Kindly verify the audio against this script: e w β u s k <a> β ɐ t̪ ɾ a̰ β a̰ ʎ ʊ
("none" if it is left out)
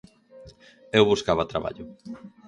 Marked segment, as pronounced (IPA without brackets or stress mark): a